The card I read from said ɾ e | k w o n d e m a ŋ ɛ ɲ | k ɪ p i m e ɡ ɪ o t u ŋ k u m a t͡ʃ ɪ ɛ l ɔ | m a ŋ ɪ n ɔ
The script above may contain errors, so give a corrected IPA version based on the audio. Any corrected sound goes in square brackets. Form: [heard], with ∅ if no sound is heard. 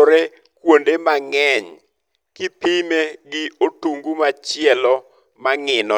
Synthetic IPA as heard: ɾ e | k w o n d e m a ŋ ɛ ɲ | k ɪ p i m e ɡ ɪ o t u ŋ [ɡ] u m a t͡ʃ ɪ ɛ l ɔ | m a ŋ ɪ n ɔ